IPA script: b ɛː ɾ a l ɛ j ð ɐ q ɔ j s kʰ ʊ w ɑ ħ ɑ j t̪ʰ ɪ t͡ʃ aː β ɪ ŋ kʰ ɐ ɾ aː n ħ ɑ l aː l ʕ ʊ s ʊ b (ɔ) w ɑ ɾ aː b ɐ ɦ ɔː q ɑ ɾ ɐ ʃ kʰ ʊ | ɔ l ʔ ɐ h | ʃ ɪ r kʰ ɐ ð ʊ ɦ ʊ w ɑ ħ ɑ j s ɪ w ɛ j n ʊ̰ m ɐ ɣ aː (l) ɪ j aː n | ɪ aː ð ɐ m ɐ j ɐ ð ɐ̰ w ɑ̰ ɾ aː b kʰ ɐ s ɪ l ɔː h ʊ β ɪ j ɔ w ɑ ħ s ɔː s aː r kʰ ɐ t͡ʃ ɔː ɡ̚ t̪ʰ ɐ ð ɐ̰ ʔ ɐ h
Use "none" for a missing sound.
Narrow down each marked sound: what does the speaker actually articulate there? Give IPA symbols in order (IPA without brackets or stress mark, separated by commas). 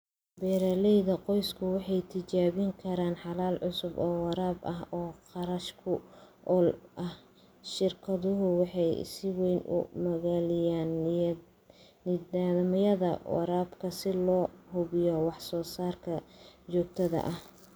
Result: ɔː, l